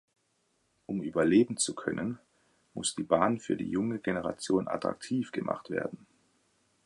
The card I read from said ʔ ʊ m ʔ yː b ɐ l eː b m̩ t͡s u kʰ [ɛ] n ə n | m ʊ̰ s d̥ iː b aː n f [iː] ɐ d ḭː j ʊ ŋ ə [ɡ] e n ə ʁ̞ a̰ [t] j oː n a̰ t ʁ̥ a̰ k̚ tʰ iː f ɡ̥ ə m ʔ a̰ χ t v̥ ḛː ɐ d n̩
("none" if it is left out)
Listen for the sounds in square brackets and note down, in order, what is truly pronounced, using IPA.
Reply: œ, yː, ɡ, t͡s

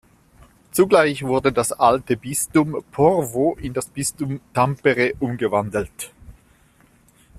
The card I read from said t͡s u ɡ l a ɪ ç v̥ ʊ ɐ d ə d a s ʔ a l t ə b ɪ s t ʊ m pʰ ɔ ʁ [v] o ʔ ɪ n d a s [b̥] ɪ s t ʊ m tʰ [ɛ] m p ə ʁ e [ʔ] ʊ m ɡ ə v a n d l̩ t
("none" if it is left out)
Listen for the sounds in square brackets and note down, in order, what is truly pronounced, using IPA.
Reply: v, b̥, a, ʔ

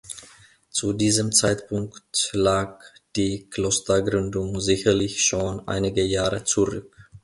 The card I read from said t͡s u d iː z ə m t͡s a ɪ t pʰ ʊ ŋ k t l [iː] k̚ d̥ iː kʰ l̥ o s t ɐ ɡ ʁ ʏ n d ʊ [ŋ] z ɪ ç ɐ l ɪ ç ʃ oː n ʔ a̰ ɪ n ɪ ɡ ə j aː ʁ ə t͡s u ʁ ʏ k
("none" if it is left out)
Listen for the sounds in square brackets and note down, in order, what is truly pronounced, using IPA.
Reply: aː, ŋ

